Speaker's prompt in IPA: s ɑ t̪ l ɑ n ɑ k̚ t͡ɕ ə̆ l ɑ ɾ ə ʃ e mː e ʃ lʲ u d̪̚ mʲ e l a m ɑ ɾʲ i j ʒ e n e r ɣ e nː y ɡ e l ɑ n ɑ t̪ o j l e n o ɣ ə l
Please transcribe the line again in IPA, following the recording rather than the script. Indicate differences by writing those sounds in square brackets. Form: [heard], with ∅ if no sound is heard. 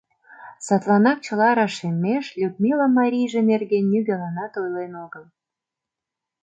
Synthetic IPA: s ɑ t̪ l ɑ n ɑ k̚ t͡ɕ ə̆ l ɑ ɾ [ɑ] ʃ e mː e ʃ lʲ u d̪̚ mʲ [i] l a m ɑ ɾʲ i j ʒ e n e r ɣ e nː y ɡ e l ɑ n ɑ t̪ o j l e n o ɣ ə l